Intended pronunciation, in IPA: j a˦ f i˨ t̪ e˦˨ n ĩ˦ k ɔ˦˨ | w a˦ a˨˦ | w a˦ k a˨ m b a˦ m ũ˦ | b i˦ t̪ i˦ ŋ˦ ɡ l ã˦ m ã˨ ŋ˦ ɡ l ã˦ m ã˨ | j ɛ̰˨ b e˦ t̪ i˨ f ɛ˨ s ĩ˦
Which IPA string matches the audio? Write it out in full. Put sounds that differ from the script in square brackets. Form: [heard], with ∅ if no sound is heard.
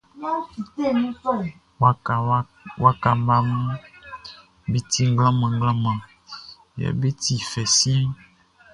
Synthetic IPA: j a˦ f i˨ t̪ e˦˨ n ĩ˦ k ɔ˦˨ | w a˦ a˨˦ | w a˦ k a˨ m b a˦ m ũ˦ | b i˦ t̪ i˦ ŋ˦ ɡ l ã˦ m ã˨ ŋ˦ ɡ l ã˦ m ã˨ | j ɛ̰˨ b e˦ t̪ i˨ f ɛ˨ s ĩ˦